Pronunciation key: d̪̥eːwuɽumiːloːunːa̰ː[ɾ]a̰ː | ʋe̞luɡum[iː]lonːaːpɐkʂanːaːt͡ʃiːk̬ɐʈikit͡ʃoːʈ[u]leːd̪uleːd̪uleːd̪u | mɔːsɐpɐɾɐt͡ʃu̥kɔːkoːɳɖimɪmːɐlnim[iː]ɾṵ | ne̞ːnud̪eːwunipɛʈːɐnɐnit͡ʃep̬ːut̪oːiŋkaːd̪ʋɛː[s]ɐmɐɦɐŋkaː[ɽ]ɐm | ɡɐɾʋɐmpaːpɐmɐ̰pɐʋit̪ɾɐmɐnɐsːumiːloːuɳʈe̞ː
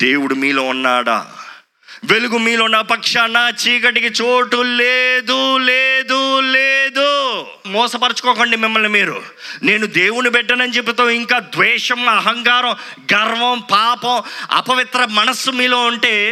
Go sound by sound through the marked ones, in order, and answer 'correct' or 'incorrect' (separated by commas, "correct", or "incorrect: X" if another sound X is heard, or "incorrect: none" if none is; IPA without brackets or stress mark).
incorrect: ɽ, correct, correct, correct, incorrect: ʂ, incorrect: ɾ